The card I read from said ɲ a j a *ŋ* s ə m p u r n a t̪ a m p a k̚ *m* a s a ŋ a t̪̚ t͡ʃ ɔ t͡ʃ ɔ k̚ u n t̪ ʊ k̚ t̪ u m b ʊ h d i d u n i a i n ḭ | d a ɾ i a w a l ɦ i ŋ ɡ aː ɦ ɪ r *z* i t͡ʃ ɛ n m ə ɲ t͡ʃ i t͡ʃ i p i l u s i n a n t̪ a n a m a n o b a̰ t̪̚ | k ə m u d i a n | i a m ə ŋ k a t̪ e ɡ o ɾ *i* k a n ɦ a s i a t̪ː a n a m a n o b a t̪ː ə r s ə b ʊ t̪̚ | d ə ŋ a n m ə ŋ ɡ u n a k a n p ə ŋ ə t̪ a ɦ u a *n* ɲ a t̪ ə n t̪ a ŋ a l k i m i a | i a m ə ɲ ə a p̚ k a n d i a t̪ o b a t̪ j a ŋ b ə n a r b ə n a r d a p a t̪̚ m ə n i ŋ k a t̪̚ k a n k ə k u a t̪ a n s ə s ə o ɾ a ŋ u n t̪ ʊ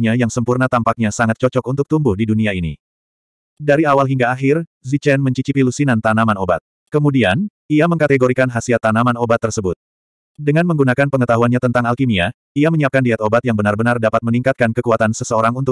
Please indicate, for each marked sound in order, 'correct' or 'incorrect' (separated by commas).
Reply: correct, incorrect, correct, correct, correct